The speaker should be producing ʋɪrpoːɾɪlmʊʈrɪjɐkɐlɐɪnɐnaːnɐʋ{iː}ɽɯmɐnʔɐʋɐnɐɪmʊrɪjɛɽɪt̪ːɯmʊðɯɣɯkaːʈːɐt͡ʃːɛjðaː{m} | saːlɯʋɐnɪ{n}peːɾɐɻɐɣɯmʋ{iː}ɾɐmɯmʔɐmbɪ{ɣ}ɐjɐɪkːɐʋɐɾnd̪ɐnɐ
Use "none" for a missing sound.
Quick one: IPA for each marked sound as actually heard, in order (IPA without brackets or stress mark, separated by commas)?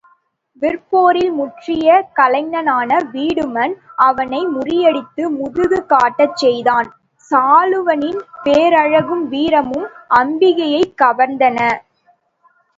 iː, n, n, iː, ɣ